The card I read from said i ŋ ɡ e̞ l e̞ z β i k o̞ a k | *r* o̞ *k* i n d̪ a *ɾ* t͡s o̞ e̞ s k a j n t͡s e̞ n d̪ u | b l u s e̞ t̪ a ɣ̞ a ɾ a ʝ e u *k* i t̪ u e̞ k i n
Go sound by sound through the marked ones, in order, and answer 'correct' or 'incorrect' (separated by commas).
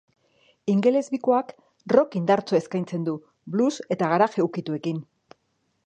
correct, correct, correct, correct